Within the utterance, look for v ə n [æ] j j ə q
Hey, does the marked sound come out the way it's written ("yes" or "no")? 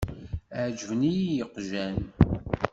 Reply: no